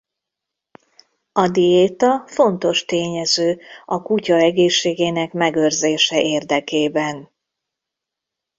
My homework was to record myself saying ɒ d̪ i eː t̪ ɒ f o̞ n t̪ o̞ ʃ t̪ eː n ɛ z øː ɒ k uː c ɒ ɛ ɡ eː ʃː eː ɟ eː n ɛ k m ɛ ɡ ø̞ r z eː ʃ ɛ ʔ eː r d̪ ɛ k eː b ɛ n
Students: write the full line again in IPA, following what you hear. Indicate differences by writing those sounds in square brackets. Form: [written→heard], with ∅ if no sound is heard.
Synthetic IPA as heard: ɒ d̪ i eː t̪ ɒ f o̞ n t̪ o̞ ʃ t̪ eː [n→ɲ] ɛ z øː ɒ k [uː→u] c ɒ ɛ ɡ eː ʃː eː [ɟ→ɡ] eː n ɛ k m ɛ ɡ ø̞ r z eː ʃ ɛ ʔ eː r d̪ ɛ k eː b ɛ n